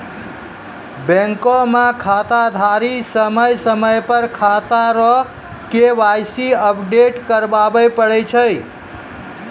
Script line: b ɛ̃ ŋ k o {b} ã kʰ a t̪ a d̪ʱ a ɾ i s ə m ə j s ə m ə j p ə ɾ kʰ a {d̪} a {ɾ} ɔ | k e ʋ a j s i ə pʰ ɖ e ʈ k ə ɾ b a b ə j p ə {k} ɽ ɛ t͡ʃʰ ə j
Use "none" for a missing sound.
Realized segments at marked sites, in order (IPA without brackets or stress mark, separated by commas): m, t̪, ɾ, none